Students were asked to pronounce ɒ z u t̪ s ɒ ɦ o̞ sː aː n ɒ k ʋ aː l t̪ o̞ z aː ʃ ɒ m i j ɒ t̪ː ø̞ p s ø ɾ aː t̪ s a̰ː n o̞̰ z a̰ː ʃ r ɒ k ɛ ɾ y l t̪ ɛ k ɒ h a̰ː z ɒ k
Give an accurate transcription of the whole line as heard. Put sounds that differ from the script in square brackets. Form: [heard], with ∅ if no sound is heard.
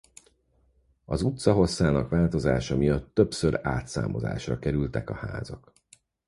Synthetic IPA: ɒ z u t̪ s ɒ ɦ o̞ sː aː n ɒ k ʋ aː l t̪ o̞ z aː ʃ ɒ m i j ɒ t̪ː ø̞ p s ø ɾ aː t̪ s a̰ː [m] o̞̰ z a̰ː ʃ r ɒ k ɛ ɾ y l t̪ ɛ k ɒ h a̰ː z ɒ k